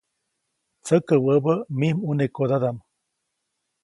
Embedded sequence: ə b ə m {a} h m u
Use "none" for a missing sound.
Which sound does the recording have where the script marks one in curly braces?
i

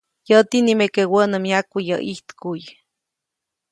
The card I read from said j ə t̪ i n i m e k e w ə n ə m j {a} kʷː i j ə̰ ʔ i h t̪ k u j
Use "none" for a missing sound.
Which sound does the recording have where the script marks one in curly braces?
a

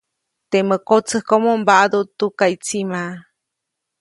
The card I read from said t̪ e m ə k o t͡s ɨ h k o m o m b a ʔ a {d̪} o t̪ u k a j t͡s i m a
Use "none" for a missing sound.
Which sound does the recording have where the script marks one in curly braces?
d̪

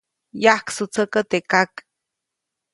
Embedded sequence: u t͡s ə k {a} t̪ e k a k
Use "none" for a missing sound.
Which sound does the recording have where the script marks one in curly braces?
ə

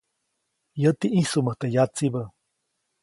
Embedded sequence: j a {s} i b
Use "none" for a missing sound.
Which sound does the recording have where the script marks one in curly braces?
t͡s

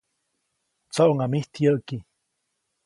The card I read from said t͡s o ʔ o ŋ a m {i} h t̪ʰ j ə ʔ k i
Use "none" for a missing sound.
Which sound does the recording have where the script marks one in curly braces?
i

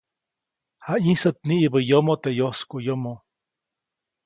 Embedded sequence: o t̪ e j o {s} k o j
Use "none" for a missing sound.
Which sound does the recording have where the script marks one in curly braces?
s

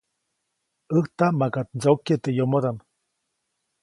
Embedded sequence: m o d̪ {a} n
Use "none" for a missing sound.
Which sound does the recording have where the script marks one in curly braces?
a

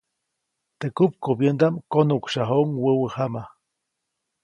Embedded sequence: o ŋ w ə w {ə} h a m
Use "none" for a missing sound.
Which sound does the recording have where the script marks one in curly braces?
ə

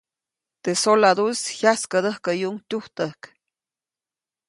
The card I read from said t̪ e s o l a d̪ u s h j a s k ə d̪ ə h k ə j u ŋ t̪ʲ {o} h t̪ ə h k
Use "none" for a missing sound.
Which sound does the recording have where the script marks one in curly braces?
u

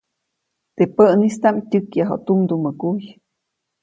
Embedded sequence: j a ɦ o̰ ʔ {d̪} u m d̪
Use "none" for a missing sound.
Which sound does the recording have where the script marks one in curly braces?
t̪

